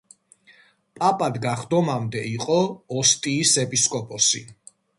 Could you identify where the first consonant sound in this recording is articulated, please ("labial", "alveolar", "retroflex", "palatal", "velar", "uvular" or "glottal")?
labial